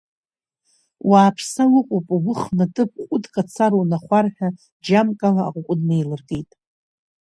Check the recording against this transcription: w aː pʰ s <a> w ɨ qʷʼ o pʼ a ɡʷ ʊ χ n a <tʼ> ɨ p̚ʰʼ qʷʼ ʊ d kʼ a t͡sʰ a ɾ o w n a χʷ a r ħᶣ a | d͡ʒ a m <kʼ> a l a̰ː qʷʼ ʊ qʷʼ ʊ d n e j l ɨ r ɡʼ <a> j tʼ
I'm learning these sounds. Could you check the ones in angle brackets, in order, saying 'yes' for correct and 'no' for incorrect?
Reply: yes, yes, yes, no

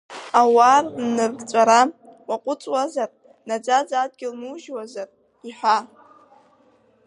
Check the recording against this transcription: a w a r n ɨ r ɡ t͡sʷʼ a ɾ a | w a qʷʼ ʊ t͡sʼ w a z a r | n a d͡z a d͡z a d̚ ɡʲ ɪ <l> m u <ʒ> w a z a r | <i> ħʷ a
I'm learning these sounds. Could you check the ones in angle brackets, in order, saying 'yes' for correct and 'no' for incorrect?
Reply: yes, yes, yes

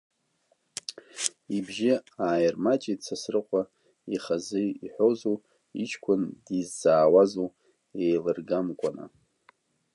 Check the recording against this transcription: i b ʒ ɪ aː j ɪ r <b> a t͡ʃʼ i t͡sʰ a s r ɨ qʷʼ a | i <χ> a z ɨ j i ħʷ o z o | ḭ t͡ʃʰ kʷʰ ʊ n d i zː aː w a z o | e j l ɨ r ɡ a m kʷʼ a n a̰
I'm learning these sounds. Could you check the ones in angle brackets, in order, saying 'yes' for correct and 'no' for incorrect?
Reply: no, yes

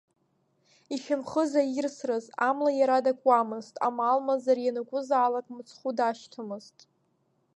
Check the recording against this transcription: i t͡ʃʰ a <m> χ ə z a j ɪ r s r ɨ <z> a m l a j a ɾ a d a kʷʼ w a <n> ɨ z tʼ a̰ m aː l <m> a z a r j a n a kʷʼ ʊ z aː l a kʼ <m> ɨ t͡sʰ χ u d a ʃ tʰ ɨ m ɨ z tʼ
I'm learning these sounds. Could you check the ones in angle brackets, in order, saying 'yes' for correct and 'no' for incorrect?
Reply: yes, yes, no, yes, yes

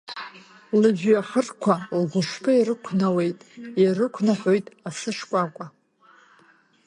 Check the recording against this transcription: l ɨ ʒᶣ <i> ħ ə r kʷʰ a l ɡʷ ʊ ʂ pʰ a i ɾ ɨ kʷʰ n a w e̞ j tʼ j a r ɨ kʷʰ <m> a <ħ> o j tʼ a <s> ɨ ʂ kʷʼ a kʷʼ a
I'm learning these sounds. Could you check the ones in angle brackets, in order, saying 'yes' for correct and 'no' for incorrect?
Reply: no, no, yes, yes

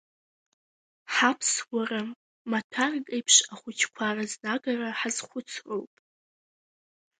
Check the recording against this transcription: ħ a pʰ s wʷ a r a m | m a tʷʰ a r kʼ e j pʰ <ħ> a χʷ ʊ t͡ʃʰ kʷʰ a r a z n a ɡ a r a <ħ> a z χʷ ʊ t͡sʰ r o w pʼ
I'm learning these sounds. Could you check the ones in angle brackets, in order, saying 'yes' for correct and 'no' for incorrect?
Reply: no, yes

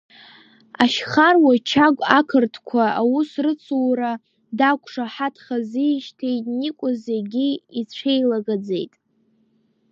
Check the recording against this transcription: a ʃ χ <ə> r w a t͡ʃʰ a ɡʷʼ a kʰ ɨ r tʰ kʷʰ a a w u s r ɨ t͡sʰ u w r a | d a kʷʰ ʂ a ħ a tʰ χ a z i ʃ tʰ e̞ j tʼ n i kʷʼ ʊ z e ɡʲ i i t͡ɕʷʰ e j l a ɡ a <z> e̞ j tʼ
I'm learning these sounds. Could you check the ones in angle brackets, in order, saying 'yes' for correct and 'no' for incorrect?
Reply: no, no

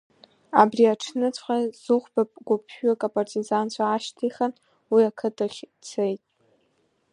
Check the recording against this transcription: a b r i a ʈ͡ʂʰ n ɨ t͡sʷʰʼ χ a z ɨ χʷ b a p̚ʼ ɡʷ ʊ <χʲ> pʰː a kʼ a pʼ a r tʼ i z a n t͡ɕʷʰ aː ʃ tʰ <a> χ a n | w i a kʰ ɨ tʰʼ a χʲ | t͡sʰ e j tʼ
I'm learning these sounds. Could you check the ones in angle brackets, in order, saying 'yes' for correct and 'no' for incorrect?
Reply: no, no

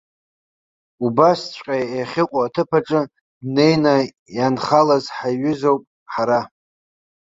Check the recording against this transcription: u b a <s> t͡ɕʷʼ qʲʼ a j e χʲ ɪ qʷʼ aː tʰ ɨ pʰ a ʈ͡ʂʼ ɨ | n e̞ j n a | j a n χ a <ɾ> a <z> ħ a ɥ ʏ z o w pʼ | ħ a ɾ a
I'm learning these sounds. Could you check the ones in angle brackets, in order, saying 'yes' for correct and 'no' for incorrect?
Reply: yes, no, yes

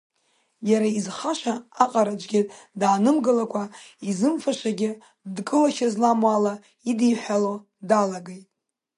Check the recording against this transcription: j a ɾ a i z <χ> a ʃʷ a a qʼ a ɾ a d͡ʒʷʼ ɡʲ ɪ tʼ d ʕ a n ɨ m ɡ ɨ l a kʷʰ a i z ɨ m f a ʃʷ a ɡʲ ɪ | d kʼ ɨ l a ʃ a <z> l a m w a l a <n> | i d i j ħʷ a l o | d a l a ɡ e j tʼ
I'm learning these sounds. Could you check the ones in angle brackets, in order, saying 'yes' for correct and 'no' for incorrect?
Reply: yes, yes, no

